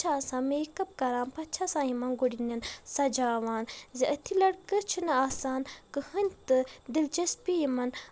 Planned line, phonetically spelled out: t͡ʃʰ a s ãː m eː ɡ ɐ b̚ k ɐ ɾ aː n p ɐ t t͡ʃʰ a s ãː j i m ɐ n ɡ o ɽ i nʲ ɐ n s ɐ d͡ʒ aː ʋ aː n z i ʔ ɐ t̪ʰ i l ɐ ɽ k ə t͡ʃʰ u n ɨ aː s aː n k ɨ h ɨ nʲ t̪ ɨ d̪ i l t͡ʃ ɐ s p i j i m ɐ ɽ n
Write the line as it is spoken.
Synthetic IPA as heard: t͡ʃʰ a s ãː m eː k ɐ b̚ k ɐ ɾ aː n p ɐ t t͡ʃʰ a s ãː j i m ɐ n ɡ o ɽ i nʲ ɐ n s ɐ d͡ʒ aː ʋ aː n z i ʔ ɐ t̪ʰ i l ɐ ɽ k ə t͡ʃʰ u n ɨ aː s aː n k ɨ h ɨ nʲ t̪ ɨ d̪ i l t͡ʃ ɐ s p i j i m ɐ n

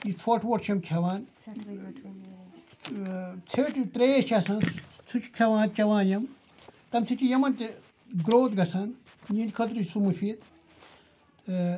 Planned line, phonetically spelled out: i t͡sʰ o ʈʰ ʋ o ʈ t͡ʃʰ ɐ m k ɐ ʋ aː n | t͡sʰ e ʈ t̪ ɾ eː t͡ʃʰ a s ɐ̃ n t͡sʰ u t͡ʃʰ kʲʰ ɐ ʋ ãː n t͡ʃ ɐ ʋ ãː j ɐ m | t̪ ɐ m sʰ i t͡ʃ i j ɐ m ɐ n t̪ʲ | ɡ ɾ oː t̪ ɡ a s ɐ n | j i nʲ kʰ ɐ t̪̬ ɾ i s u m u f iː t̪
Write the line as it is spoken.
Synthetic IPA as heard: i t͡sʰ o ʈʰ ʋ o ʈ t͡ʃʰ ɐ m kʰ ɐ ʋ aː n | t͡sʰ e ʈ t̪ ɾ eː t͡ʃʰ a s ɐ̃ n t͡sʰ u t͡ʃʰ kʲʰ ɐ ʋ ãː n t͡ʃ ɐ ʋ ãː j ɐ m | t̪ ɐ m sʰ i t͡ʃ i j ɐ m ɐ n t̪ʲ | ɡ ɾ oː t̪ ɡ ɐ s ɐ n | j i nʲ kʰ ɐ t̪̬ ɾ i s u m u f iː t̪

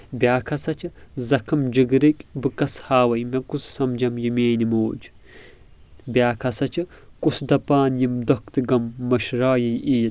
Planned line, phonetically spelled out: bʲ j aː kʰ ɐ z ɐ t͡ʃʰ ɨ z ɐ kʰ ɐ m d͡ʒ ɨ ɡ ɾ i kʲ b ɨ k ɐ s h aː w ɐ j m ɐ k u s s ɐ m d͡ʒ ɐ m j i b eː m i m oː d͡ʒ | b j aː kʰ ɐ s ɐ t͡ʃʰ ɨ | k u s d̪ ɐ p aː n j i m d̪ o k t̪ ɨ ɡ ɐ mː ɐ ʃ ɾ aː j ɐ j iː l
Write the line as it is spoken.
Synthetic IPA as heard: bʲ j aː kʰ ɐ s ɐ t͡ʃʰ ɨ z ɐ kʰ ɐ m d͡ʒ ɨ ɡ ɾ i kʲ b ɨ k ɐ s h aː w ɐ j m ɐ k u s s ɐ m d͡ʒ ɐ m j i m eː n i m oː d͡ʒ | b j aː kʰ ɐ s ɐ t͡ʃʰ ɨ | k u s d̪ ɐ p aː n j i m d̪ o k t̪ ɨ ɡ ɐ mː ɐ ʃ ɾ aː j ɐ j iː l

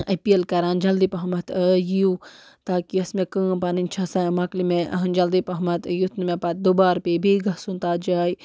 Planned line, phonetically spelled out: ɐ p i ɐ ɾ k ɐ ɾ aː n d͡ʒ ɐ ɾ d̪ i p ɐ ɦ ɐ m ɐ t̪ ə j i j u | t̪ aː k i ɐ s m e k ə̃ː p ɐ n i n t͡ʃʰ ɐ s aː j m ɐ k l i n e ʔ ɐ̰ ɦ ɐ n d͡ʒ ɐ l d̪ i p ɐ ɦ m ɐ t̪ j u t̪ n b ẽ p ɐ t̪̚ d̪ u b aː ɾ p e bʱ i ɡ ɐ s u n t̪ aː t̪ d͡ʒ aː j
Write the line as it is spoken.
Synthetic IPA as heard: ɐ p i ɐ l k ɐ ɾ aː n d͡ʒ ɐ l d̪ i p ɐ ɦ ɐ m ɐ t̪ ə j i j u | t̪ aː k i ɐ s m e k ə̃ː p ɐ n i n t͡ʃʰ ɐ s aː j m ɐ k l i m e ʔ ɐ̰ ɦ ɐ n d͡ʒ ɐ l d̪ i p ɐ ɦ m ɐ t̪ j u t̪ n m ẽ p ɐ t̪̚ d̪ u b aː ɾ p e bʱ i ɡ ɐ s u n t̪ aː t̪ d͡ʒ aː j

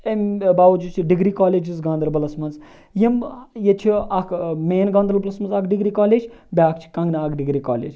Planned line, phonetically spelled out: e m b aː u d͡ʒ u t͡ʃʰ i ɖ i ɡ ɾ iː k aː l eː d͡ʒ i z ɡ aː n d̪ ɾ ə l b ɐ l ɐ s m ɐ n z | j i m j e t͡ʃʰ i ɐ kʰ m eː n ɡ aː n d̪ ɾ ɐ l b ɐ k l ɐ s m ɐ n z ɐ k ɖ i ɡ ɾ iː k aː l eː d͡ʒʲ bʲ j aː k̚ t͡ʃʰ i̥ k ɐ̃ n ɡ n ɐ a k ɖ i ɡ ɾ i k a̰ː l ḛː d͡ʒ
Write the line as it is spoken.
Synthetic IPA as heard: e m b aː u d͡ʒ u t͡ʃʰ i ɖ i ɡ ɾ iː k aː l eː d͡ʒ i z ɡ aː n d̪ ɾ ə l b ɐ l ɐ s m ɐ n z | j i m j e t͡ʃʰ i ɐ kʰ m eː n ɡ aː n d̪ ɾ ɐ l b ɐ l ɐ s m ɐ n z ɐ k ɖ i ɡ ɾ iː k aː l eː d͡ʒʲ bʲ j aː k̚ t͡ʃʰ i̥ k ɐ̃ ŋ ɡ n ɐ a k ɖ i ɡ ɾ i k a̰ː l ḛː d͡ʒ

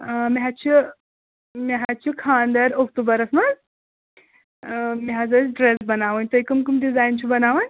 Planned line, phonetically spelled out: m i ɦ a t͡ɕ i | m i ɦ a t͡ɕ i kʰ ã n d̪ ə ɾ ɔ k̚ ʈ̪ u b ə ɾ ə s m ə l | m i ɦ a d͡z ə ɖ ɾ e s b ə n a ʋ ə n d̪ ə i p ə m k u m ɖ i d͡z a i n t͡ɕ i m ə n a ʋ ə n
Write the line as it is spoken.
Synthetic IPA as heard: m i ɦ a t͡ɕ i | m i ɦ a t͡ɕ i kʰ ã n d̪ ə ɾ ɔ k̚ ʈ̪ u b ə ɾ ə s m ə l | m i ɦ a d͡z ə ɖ ɾ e s b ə n a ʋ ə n t̪ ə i k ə m k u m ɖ i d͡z a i n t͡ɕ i b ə n a ʋ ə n

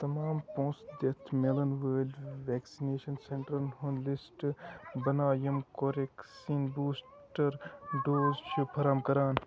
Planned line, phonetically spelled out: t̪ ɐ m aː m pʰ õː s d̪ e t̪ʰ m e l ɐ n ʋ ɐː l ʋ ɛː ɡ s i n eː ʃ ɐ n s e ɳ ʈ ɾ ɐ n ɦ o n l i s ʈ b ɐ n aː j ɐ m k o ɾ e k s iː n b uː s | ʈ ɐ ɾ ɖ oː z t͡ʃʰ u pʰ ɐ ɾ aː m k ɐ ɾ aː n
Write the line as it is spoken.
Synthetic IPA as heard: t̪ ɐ m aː m p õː s d̪ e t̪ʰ m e l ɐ n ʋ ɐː l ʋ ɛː k s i n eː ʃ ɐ n s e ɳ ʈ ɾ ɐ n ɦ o n l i s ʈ b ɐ n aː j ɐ m k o ɾ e k s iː n b uː s | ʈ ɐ ɾ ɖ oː z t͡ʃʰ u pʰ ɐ ɾ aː m k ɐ ɾ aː n

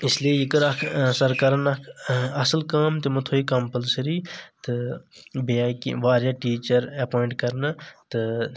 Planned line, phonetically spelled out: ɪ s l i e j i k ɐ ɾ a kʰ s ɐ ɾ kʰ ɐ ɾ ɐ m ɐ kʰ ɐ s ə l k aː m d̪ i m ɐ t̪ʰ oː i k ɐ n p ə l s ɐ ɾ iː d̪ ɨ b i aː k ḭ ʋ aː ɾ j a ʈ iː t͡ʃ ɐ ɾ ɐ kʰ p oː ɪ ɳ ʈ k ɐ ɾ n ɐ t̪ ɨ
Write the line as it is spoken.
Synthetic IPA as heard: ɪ s l i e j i k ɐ ɾ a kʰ s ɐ ɾ k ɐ ɾ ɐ n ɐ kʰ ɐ s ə l k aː m t̪ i m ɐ t̪ʰ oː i k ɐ m p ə l s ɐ ɾ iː t̪ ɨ b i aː k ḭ ʋ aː ɾ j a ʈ iː t͡ʃ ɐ ɾ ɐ p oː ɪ ɳ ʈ k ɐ ɾ n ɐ t̪ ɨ

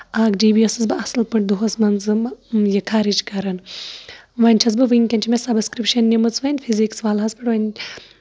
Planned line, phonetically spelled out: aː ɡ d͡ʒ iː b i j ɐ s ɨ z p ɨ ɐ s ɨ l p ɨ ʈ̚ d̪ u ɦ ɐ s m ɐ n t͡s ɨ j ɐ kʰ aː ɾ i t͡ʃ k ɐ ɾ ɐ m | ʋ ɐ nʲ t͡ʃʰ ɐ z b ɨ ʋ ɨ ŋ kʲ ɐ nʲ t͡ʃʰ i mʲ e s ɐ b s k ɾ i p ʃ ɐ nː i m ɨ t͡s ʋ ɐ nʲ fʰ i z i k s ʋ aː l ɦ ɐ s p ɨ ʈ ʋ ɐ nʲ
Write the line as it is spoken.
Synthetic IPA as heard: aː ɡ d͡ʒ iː b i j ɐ s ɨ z b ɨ ɐ s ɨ l p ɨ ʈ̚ d̪ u ɦ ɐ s m ɐ n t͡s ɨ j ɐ kʰ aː ɾ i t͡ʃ k ɐ ɾ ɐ n | ʋ ɐ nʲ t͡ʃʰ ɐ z b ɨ ʋ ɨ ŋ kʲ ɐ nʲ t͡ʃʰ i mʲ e s ɐ b s k ɾ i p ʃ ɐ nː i m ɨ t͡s ʋ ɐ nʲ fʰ i z i k s ʋ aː l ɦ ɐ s p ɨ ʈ ʋ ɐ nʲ

